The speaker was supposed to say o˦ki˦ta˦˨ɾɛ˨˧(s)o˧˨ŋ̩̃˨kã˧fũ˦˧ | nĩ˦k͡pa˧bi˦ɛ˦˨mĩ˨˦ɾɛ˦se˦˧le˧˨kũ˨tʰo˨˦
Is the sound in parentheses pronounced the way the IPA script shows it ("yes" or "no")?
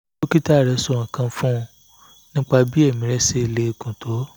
yes